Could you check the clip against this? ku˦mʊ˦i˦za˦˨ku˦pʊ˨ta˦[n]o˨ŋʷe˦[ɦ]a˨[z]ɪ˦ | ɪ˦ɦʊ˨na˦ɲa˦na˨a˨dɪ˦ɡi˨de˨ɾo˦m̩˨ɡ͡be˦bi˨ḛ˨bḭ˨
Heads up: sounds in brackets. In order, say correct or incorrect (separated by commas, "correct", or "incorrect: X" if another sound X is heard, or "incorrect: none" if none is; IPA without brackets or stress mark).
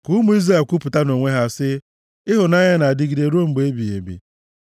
correct, correct, incorrect: s